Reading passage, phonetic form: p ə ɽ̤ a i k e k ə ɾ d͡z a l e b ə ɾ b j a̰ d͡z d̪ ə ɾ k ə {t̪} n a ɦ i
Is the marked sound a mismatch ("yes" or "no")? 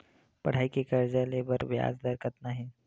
no